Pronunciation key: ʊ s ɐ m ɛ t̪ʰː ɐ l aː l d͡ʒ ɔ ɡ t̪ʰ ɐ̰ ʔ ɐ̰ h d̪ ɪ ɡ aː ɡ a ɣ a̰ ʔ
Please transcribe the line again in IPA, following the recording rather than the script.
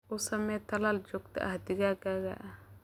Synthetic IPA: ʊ s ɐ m ɛ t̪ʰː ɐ l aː l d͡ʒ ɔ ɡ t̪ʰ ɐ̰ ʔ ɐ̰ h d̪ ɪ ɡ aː ɡ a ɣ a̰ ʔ